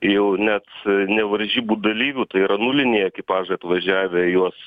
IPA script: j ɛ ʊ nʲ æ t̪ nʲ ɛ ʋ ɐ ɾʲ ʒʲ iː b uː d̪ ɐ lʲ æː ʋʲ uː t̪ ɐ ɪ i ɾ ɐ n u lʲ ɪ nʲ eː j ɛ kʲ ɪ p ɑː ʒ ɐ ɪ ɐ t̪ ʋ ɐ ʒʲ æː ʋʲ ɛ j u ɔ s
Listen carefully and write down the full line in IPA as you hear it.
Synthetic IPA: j ɛ ʊ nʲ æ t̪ nʲ ɛ ʋ ɐ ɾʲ ʒʲ iː b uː d̪ ɐ lʲ iː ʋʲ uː t̪ ɐ ɪ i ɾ ɐ n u lʲ ɪ nʲ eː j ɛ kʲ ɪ p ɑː ʒ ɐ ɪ ɐ t̪ ʋ ɐ ʒʲ æː ʋʲ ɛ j u ɔ s